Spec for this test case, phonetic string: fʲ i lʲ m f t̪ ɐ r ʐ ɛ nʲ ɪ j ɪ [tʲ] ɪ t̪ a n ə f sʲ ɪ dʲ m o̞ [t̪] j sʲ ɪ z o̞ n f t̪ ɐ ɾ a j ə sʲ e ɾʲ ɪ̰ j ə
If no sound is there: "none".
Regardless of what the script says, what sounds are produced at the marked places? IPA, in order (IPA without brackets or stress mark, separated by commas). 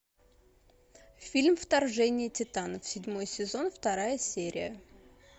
tʲ, none